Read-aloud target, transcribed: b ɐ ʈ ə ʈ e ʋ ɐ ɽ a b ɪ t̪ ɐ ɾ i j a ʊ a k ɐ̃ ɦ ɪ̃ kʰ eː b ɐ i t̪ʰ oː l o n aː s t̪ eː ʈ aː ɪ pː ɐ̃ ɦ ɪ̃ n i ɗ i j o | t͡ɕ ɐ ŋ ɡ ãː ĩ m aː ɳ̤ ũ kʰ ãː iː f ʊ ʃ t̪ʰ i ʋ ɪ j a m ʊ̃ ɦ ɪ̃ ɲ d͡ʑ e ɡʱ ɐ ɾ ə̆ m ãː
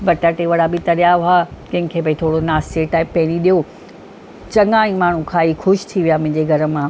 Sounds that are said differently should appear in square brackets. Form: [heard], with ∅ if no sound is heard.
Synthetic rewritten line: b ɐ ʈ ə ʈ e ʋ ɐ ɽ a b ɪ t̪ ɐ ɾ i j a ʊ a k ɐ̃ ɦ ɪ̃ kʰ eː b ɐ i t̪ʰ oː [ɽ] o n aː s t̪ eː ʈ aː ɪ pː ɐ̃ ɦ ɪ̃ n i ɗ i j o | t͡ɕ ɐ ŋ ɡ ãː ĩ m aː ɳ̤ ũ kʰ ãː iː [x] ʊ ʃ t̪ʰ i ʋ [i] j a m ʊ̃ ɦ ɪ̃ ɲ d͡ʑ e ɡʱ ɐ ɾ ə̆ m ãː

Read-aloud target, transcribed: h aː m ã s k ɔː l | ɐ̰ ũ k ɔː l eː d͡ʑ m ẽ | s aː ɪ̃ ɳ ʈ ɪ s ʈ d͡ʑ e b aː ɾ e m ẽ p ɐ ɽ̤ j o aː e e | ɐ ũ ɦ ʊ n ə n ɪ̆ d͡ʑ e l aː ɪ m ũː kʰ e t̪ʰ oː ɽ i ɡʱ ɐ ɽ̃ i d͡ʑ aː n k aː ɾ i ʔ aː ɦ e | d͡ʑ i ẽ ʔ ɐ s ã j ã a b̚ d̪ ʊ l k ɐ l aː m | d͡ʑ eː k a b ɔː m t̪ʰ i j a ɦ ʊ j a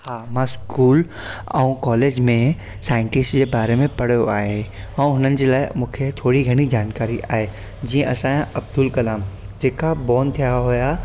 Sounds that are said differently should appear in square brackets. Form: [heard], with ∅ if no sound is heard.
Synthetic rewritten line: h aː m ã s k [uː] l | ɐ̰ ũ k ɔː l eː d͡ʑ m ẽ | s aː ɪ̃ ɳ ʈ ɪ s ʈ d͡ʑ e b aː ɾ e m ẽ p ɐ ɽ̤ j o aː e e | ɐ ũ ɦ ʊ n ə n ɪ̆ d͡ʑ e l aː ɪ m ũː kʰ e t̪ʰ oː ɽ i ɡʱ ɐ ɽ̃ i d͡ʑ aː n k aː ɾ i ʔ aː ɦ e | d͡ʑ i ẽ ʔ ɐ s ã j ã [ɐ] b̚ d̪ ʊ l k ɐ l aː m | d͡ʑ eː k a b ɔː [n] t̪ʰ i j a ɦ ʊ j a

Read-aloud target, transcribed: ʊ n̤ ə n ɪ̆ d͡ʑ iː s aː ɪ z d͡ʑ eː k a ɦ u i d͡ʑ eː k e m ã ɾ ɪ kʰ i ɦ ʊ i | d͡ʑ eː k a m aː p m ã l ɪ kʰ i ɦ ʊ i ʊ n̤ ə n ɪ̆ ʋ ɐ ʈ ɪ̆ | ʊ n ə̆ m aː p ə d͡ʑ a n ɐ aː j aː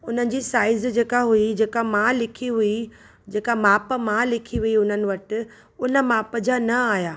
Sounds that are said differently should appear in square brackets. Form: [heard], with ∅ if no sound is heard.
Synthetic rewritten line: ʊ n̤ ə n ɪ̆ d͡ʑ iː s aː ɪ z d͡ʑ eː k a ɦ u i d͡ʑ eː k [a] m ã [l] ɪ kʰ i ɦ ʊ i | d͡ʑ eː k a m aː p m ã l ɪ kʰ i ɦ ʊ i ʊ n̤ ə n ɪ̆ ʋ ɐ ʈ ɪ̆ | ʊ n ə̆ m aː p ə d͡ʑ a n ɐ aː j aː

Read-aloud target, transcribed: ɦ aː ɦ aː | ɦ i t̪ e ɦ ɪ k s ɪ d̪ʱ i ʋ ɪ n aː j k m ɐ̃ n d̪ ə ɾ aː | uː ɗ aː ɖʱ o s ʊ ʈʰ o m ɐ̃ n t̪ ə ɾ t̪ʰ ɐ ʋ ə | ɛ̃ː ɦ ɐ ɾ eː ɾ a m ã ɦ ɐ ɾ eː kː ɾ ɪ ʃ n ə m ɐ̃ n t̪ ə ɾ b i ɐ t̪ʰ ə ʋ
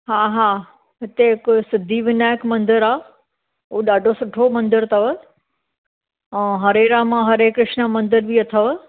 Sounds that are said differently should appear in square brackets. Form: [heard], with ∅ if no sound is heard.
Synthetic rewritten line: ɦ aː ɦ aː | ɦ [ɪ] t̪ e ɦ ɪ k s ɪ d̪ʱ i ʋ ɪ n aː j k m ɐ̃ n d̪ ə ɾ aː | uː ɗ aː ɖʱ o s ʊ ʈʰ o m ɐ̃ n [d̪] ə ɾ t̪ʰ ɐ ʋ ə | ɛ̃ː ɦ ɐ ɾ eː ɾ a m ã ɦ ɐ ɾ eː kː ɾ ɪ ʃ n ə m ɐ̃ n [d̪] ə ɾ b i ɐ t̪ʰ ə ʋ

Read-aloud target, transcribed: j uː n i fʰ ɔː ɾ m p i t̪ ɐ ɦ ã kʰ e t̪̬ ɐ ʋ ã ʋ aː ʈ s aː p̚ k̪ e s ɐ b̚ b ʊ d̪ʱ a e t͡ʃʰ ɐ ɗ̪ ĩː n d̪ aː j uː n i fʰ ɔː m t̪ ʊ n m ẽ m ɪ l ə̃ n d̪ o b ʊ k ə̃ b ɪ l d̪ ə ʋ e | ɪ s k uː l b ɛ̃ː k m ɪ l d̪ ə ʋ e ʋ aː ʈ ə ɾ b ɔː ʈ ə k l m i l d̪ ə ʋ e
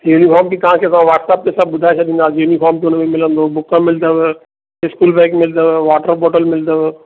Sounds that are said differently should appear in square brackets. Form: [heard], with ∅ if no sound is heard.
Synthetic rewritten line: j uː n i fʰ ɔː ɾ m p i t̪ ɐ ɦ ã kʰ e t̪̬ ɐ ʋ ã ʋ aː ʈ s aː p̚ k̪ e s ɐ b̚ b ʊ d̪ʱ a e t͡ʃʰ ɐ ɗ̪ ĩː n d̪ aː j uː n i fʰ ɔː m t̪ ʊ n m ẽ m ɪ l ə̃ n d̪ o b ʊ k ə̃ [m] ɪ l d̪ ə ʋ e | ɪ s k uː l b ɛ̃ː k m ɪ l d̪ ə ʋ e ʋ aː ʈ ə ɾ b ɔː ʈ ə [∅] l m [ɪ] l d̪ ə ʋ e

